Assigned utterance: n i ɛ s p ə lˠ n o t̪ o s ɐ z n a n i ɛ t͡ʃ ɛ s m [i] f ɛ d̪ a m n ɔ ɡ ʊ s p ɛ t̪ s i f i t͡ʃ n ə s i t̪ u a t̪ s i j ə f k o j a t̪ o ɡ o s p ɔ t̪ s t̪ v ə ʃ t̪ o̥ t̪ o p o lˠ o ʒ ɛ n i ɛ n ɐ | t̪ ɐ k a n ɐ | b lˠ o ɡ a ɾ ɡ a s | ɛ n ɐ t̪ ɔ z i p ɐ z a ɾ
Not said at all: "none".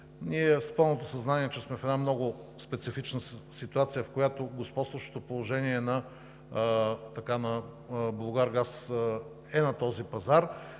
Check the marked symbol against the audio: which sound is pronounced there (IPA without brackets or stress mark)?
ɛ